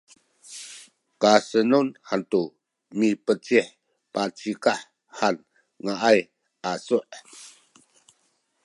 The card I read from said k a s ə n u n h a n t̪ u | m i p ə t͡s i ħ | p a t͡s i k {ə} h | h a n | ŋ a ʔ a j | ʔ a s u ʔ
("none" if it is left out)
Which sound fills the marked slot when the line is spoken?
a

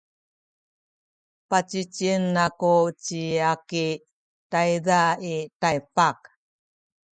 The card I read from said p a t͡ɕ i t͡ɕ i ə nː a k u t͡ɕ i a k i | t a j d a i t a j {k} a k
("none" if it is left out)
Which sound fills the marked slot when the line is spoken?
p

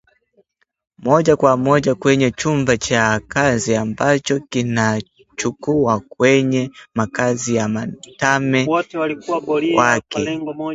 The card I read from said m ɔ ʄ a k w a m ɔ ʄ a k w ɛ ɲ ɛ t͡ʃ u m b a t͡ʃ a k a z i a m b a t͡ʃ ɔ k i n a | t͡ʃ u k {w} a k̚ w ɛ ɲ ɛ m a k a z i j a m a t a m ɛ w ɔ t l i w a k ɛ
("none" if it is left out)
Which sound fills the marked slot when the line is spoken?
u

